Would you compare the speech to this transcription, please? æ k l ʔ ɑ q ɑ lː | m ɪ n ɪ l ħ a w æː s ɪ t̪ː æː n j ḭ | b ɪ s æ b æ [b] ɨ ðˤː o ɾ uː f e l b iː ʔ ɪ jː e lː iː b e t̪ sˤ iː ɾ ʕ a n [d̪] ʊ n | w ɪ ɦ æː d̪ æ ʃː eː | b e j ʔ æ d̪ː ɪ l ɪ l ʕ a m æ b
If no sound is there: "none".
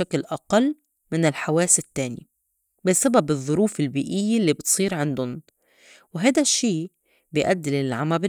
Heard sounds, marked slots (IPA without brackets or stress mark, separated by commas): b, d̪